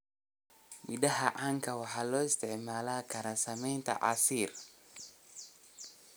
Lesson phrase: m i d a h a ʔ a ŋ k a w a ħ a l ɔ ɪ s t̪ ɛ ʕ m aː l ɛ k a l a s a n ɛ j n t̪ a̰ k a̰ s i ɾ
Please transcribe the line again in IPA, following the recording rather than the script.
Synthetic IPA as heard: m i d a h a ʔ a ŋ k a w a ħ a l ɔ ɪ s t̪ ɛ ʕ m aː l a k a ɾ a s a m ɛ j n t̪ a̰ ʔ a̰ s i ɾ